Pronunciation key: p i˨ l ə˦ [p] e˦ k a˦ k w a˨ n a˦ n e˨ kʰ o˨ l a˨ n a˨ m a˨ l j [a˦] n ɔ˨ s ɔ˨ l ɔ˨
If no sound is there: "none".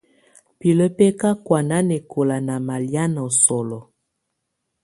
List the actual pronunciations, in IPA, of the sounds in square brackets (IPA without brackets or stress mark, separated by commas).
p, a˦